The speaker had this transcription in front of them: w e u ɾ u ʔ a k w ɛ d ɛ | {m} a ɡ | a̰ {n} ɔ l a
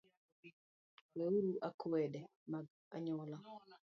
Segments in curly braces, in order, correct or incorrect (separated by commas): correct, incorrect